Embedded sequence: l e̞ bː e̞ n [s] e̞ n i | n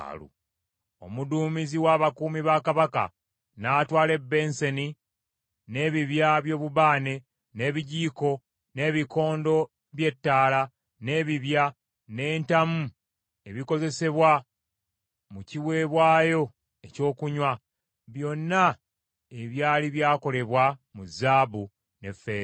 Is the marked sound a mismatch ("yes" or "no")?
no